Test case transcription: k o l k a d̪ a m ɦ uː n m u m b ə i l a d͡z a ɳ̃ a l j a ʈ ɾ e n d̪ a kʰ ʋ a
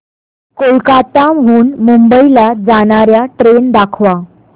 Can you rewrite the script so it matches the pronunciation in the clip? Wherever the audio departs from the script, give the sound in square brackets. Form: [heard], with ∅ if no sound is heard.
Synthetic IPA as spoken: k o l k a [t̪] a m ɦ uː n m u m b ə i l a d͡z a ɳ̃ a [ɾ] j a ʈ ɾ e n d̪ a kʰ ʋ a